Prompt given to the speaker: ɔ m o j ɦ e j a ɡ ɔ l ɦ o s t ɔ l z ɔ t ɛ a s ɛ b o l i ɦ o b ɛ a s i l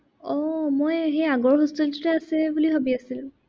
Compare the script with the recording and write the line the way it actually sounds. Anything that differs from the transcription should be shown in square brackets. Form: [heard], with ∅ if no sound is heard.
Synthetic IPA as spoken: ɔ m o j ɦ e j a ɡ ɔ [ɹ] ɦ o s t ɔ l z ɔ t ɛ a s ɛ b [u] l i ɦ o b [i] a s i l

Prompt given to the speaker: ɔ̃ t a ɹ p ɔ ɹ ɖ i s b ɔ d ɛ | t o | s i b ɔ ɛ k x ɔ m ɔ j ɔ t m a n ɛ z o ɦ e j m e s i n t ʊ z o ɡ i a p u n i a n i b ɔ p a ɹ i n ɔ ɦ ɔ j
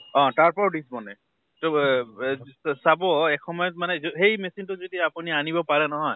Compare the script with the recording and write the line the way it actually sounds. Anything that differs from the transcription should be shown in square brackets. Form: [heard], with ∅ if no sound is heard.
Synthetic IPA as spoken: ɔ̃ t a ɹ p ɔ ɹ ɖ i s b ɔ [n] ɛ | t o | s [a] b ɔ ɛ k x ɔ m ɔ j ɔ t m a n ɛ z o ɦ e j m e s i n t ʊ z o [d] i a p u n i a n i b ɔ p a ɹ [ɛ] n ɔ ɦ ɔ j

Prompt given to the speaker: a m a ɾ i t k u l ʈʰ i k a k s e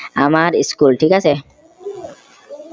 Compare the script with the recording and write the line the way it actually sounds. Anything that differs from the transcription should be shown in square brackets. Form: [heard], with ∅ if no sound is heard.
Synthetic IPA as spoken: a m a ɾ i [s] k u l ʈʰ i k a [∅] s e

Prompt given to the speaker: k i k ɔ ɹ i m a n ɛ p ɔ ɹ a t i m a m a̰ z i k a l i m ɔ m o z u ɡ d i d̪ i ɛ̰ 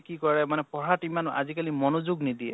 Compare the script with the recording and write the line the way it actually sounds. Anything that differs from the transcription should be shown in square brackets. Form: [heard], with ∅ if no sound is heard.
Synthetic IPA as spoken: k i k ɔ ɹ [ɛ] m a n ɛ p ɔ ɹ a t i m a [n] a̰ z i k a l i m ɔ [n] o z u ɡ [n] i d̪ i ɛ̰

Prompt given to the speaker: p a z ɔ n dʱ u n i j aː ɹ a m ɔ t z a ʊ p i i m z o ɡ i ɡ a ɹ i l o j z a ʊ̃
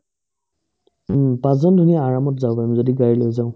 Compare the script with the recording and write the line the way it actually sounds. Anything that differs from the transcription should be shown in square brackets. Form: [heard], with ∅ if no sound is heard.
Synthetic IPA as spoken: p a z ɔ n dʱ u n i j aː ɹ a m ɔ t z a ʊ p [a] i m z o [d] i ɡ a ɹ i l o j z a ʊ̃

